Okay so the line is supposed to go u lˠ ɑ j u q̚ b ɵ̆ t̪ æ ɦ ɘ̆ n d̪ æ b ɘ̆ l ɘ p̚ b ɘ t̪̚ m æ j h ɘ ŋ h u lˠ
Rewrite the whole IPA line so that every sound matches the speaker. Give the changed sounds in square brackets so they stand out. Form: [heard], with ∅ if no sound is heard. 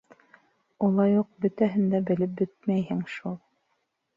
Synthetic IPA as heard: u lˠ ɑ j u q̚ b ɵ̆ t̪ æ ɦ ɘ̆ n d̪ æ b ɘ̆ l ɘ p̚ b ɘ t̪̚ m æ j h ɘ ŋ [ʃ] u lˠ